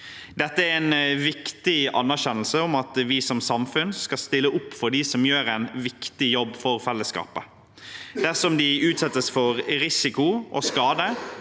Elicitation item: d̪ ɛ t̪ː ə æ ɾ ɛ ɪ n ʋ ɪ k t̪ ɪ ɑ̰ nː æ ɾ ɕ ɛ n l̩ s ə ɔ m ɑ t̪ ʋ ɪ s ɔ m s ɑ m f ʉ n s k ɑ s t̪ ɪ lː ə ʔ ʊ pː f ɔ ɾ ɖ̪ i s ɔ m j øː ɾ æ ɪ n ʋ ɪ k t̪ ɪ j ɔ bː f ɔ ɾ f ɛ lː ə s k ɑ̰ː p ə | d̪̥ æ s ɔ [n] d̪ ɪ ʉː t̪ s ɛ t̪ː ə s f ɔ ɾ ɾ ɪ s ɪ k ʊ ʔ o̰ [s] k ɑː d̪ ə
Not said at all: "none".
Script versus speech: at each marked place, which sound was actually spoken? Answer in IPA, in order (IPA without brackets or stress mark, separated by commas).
m, s